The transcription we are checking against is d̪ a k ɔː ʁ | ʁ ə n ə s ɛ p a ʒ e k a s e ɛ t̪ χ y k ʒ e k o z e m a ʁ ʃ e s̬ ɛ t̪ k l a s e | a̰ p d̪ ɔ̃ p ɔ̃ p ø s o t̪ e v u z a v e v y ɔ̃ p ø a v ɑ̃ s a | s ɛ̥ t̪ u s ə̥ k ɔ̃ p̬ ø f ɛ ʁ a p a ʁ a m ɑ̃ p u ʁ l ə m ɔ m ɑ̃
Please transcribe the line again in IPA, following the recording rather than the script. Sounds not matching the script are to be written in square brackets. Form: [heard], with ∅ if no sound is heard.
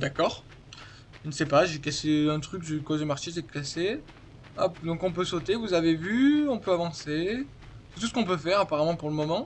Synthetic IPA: d̪ a k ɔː ʁ | [ʒ] ə n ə s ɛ p a ʒ e k a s e [ɛ̃] t̪ χ y k ʒ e k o z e m a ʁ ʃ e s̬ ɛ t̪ k l a s e | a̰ p d̪ ɔ̃ [k] ɔ̃ p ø s o t̪ e v u z a v e v y ɔ̃ p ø a v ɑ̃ s [e] | s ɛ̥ t̪ u s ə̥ k ɔ̃ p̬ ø f ɛ ʁ a p a ʁ a m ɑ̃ p u ʁ l ə m ɔ m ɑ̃